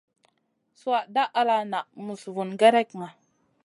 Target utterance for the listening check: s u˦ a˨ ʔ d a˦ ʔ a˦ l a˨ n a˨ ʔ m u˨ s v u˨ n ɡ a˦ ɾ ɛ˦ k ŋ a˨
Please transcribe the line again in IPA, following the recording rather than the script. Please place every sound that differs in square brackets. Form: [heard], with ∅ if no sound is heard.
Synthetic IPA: s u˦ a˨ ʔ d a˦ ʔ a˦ l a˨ n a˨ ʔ m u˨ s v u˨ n ɡ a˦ ɾ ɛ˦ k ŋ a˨